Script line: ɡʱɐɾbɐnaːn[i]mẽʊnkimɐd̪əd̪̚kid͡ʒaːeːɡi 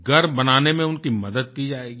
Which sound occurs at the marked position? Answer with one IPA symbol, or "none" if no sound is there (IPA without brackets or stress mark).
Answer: e